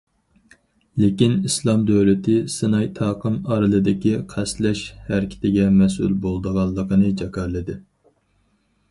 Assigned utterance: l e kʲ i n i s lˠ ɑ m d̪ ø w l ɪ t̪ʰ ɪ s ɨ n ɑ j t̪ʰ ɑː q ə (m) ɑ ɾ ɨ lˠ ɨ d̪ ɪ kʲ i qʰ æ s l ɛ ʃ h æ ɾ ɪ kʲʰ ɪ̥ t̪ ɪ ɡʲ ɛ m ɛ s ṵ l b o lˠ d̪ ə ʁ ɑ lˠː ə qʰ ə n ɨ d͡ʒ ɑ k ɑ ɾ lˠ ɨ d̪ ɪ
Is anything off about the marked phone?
no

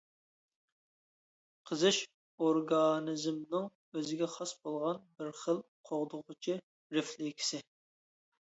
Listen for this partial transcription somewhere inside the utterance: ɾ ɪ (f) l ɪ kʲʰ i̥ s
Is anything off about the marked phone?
no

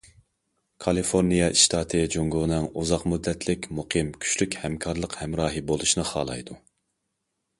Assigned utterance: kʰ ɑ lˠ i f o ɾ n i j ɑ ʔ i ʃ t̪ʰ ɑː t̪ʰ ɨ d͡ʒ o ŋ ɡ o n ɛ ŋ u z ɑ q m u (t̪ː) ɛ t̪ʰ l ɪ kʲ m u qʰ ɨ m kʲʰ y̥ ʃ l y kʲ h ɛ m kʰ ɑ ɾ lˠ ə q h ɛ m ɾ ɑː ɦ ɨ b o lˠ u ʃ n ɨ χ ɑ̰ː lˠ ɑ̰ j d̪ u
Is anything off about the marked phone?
yes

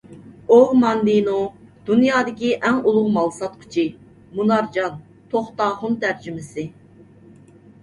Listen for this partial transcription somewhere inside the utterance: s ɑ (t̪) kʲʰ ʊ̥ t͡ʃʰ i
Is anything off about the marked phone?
no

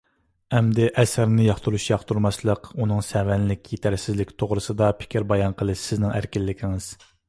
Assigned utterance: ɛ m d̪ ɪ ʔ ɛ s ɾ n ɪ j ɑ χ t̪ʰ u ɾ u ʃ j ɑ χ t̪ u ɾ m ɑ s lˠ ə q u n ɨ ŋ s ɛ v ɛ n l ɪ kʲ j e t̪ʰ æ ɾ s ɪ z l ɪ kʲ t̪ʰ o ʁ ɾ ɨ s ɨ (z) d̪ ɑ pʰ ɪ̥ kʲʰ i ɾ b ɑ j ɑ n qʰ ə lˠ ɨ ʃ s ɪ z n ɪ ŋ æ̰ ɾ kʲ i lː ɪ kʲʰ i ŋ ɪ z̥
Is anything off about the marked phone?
yes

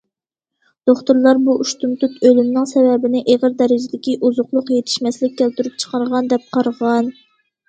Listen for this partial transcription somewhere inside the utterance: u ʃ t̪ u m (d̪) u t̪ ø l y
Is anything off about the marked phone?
yes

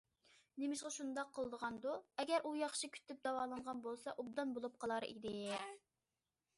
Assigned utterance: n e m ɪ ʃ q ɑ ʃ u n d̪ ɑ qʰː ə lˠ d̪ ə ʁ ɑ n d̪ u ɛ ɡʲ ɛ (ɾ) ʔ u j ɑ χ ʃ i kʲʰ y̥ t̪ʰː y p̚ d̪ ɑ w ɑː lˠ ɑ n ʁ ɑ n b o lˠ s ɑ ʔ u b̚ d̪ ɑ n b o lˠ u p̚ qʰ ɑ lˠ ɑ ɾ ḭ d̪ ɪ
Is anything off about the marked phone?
no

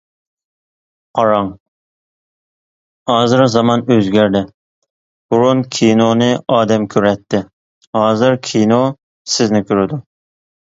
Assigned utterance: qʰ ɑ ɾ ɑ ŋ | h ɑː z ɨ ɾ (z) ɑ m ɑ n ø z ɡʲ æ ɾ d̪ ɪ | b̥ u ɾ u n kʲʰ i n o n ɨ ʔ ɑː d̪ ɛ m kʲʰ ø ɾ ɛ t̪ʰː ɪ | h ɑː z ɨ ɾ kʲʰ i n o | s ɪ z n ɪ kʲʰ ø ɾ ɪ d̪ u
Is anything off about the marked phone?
no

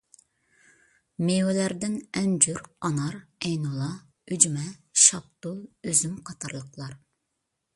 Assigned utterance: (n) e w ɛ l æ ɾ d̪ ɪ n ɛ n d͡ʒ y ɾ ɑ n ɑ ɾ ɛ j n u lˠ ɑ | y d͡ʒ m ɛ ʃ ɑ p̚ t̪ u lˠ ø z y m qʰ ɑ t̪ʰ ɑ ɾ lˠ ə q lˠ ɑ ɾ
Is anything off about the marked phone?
yes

